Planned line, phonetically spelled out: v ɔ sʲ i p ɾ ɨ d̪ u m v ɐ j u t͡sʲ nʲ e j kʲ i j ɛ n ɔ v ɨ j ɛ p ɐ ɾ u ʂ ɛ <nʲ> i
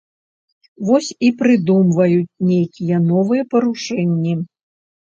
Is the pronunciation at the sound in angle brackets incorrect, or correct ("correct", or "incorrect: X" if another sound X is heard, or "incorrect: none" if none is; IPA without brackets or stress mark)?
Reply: incorrect: nʲː